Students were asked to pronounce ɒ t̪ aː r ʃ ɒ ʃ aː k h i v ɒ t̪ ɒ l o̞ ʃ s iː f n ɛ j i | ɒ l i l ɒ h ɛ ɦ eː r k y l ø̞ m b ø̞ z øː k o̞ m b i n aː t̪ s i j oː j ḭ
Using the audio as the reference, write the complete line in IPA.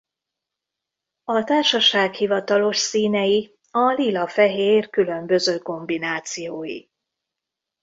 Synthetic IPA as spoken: ɒ t̪ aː r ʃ ɒ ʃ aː k h i v ɒ t̪ ɒ l o̞ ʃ s iː n ɛ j i | ɒ l i l ɒ f ɛ ɦ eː r k y l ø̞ m b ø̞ z øː k o̞ m b i n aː t̪ s i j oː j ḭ